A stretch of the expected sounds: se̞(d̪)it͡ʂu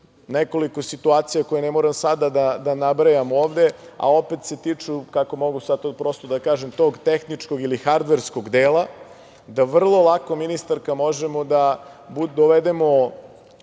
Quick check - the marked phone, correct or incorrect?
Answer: incorrect